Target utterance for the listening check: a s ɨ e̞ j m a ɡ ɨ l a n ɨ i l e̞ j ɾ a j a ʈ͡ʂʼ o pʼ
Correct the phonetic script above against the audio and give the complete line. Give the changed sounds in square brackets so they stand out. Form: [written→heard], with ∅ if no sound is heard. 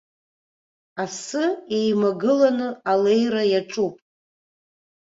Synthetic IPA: a s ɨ e̞ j m a ɡ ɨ l a n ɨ [i→a] l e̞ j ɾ a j a ʈ͡ʂʼ [o→u] pʼ